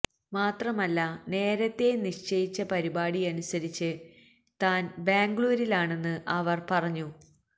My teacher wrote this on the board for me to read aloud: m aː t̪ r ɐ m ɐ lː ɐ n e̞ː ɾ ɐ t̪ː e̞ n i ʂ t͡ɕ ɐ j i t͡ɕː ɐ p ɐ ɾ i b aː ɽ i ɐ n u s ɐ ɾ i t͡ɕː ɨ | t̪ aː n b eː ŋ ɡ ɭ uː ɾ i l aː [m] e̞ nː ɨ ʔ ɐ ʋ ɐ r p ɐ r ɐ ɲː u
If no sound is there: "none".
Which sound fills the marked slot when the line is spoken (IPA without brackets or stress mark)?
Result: ɳ